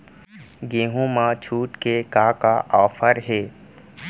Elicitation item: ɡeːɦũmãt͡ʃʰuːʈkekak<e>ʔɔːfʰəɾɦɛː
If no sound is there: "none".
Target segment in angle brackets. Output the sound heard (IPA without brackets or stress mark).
a